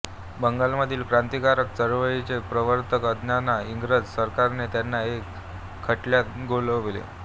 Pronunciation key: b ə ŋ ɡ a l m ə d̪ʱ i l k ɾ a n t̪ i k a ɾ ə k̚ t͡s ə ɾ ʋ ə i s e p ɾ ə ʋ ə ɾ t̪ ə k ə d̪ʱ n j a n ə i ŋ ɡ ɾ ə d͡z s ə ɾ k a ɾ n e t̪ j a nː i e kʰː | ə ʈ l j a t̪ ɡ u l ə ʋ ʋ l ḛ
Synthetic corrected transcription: b ə ŋ ɡ a l m ə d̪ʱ iː l k ɾ a n t̪ i k a ɾ ə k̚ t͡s ə ɾ ʋ ə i t͡s e p ɾ ə ʋ ə ɾ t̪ ə k ə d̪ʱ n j a n a i ŋ ɡ ɾ ə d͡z s ə ɾ k a ɾ n e t̪ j a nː a e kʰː | ə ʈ l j a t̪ ɡ o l ə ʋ ʋ l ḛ